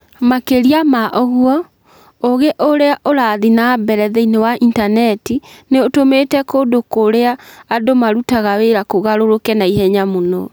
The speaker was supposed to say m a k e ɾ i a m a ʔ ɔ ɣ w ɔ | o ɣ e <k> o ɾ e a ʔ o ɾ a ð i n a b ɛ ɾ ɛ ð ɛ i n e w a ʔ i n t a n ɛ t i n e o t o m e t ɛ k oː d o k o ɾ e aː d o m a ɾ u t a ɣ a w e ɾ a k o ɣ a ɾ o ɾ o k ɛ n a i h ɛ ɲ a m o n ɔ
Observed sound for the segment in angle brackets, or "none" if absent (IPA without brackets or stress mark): ʔ